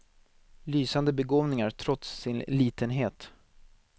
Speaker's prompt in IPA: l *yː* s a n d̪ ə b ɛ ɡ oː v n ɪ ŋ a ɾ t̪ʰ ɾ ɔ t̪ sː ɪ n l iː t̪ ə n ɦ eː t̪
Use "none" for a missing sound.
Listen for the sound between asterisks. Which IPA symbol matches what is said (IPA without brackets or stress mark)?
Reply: yː